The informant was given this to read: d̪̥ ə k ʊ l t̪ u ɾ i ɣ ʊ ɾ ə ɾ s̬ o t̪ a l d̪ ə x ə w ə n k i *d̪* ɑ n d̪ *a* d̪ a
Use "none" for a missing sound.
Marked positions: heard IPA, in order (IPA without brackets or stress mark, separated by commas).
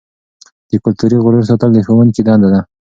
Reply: d̪, a